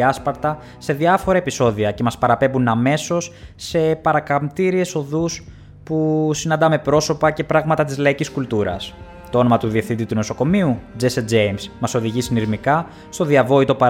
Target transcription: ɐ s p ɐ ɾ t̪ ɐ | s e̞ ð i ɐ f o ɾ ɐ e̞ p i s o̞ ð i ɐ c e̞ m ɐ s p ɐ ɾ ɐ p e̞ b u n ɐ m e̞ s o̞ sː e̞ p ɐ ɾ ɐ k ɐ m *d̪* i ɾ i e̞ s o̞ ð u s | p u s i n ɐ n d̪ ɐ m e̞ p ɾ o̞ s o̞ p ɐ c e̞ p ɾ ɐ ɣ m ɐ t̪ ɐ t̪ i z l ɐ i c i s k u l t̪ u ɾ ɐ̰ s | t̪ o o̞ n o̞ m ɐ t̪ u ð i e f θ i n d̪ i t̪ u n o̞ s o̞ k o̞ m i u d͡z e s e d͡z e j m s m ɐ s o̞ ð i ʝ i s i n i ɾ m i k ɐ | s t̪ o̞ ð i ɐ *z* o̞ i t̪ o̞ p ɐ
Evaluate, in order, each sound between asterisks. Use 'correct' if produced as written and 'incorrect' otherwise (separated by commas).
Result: incorrect, incorrect